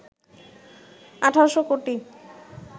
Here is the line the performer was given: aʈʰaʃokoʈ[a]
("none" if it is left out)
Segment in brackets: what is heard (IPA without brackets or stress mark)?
i